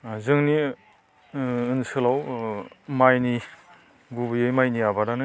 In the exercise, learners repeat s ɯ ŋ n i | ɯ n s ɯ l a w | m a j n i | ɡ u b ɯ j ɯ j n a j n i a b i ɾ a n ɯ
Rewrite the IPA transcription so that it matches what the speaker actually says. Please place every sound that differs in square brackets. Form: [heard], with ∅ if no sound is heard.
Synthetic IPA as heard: [z] ɯ ŋ n i | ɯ n s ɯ l a w | m a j n i | ɡ u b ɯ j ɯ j [m] a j n i a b [a] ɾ a n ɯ